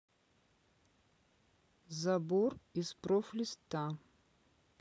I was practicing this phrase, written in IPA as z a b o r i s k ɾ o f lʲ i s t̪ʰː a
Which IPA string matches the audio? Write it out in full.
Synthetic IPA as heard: z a b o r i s p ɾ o f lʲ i s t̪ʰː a